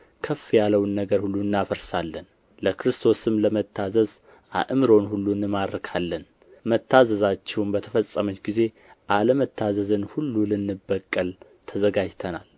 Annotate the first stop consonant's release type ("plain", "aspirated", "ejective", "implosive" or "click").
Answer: aspirated